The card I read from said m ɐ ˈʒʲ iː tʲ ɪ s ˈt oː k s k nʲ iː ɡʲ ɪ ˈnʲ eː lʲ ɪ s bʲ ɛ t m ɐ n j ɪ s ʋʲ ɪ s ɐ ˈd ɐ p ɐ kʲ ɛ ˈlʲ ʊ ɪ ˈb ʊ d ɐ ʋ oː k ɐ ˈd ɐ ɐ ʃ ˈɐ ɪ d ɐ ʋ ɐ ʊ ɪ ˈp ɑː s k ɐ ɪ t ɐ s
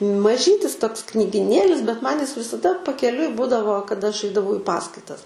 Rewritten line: m ɐ ˈʒʲ iː tʲ ɪ s ˈt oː k s k nʲ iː ɡʲ ɪ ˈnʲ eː lʲ ɪ s bʲ ɛ t m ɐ n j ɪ s ʋʲ ɪ s ɐ ˈd ɐ p ɐ kʲ ɛ ˈlʲ ʊ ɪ ˈb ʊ d ɐ ʋ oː k ɐ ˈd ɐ ɐ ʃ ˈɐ ɪ d ɐ ʋ ɐ ʊ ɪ ˈp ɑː s k ɐ ɪ t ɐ s